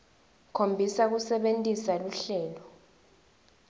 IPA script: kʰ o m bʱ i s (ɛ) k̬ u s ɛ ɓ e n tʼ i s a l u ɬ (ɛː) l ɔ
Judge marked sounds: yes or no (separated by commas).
no, yes